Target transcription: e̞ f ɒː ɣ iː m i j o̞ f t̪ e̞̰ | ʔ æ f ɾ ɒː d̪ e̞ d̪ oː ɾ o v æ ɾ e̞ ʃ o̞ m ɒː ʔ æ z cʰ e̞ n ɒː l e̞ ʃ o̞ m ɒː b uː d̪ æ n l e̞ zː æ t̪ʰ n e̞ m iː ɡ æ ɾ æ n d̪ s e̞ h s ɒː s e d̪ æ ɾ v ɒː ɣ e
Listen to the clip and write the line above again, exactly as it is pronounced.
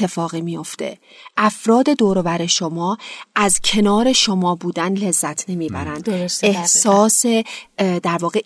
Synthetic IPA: e̞ f ɒː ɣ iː m i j o̞ f t̪ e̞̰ | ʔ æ f ɾ ɒː d̪ e̞ d̪ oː ɾ o v æ ɾ e̞ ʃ o̞ m ɒː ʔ æ z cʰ e̞ n ɒː ɾ e̞ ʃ o̞ m ɒː b uː d̪ æ n l e̞ zː æ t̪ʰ n e̞ m iː b æ ɾ æ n d̪ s e̞ h s ɒː s e d̪ æ ɾ v ɒː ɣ e